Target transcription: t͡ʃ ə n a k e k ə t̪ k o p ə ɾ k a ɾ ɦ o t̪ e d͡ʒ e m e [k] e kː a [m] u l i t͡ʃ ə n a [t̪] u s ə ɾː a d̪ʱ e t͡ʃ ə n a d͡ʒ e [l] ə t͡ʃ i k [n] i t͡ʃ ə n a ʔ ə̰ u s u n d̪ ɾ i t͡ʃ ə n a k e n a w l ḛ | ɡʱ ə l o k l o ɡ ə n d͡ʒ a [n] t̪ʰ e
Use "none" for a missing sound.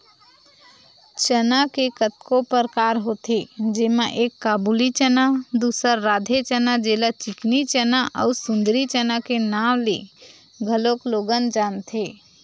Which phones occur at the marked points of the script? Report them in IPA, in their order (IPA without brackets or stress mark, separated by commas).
ʔ, b, d̪, l, n, n